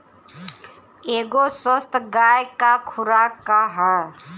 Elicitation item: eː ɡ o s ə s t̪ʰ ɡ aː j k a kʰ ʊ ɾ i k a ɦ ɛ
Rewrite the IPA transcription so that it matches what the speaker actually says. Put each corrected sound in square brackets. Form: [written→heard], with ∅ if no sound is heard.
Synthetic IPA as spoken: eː ɡ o s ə s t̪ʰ ɡ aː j k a kʰ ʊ ɾ [i→a] k a ɦ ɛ